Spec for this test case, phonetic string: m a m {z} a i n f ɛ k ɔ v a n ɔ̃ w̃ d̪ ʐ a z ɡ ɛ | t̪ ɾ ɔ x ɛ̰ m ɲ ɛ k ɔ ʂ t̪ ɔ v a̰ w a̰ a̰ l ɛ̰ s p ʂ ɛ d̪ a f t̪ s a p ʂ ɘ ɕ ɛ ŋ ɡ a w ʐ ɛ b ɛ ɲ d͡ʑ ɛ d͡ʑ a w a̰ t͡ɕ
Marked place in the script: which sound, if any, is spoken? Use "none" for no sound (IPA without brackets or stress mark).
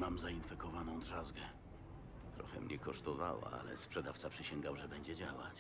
z